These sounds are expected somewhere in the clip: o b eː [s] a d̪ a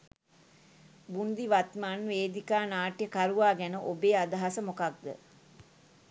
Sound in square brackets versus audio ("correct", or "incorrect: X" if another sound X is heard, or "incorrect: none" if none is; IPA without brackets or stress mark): incorrect: none